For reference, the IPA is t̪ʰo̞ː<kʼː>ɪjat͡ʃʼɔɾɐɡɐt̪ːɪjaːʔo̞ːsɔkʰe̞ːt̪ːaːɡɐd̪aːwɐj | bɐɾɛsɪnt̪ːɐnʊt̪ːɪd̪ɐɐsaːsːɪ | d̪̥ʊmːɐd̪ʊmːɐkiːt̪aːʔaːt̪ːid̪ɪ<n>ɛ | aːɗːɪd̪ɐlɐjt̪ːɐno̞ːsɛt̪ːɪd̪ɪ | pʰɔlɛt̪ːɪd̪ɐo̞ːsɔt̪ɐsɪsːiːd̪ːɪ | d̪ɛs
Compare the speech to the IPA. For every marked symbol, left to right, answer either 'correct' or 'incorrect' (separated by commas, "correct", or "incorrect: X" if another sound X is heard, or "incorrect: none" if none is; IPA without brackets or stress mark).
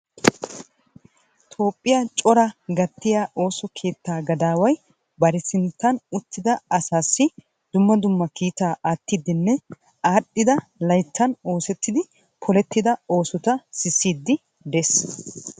incorrect: pʼː, incorrect: nː